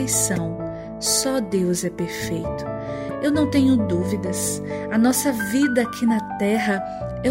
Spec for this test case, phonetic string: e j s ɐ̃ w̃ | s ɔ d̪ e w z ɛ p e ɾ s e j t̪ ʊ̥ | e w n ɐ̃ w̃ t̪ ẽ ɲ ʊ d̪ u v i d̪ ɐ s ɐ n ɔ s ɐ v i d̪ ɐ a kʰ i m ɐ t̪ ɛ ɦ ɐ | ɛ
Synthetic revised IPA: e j s ɐ̃ w̃ | s ɔ d̪ e w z ɛ p e ɾ f e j t̪ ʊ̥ | e w n ɐ̃ w̃ t̪ ẽ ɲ ʊ d̪ u v i d̪ ɐ s ɐ n ɔ s ɐ v i d̪ ɐ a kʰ i n ɐ t̪ ɛ ɦ ɐ | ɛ